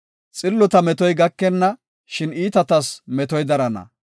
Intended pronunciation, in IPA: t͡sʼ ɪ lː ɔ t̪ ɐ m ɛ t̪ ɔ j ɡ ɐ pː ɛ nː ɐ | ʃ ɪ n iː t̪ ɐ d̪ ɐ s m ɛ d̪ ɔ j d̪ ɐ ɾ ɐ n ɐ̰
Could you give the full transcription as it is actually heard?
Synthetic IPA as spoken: t͡sʼ ɪ lː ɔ t̪ ɐ m ɛ t̪ ɔ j ɡ ɐ kː ɛ nː ɐ | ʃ ɪ n iː t̪ ɐ t̪ ɐ s m ɛ t̪ ɔ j d̪ ɐ ɾ ɐ n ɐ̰

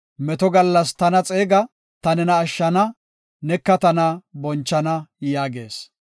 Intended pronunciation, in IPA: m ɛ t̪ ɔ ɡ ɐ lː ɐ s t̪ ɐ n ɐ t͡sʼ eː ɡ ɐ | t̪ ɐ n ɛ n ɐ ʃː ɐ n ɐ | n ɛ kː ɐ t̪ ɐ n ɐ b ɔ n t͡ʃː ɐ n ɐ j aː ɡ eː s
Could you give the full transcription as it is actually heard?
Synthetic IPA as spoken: m ɛ t̪ ɔ ɡ ɐ lː ɐ s t̪ ɐ n ɐ t͡sʼ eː ɡ ɐ | t̪ ɐ n ɛ n ɐː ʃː ɐ n ɐ | n ɛ kː ɐ t̪ ɐ n ɐ b ɔ n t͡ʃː ɐ n ɐ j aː ɡ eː s

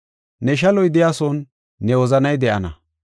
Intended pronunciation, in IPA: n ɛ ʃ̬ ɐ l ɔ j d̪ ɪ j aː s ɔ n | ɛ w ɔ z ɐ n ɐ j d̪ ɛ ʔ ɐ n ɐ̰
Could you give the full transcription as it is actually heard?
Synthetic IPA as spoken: n ɛ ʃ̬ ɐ l ɔ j d̪ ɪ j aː s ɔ nː | ɛ w ɔ z ɐ n ɐ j d̪ ɛ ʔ ɐ n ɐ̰

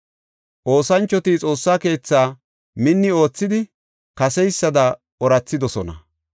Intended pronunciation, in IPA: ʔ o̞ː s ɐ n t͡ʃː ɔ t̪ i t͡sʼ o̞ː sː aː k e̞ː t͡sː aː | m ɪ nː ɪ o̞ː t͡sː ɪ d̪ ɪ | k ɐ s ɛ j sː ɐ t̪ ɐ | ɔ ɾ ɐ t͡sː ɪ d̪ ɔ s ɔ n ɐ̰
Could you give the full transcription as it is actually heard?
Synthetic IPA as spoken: ʔ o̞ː s ɐ n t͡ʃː ɔ t̪ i t͡sʼ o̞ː sː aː k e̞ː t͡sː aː | m ɪ nː ɪ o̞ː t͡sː ɪ d̪ ɪ | k ɐ s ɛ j sː ɐ d̪ ɐ | ɔ ɾ ɐ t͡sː ɪ d̪ ɔ s ɔ n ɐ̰

